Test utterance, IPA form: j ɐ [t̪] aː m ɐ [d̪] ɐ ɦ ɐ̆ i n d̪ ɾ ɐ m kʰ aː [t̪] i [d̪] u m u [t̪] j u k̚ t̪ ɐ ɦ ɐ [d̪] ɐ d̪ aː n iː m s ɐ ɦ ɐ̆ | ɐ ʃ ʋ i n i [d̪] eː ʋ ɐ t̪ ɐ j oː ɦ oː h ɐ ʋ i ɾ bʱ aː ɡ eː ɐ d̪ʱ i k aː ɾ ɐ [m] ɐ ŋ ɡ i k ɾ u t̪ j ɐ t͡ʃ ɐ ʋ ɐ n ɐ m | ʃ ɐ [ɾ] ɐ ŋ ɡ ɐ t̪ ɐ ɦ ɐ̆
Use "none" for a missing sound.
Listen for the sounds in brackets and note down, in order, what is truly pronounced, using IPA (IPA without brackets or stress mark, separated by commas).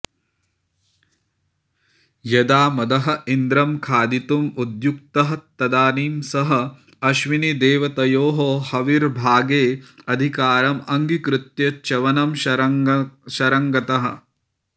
d̪, d̪, d̪, t̪, d̪, t̪, d̪, m, ɾ